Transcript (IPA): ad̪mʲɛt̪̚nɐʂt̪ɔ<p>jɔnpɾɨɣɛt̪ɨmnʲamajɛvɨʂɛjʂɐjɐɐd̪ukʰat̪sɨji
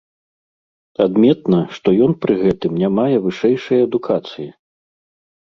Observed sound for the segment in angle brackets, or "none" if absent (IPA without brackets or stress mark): none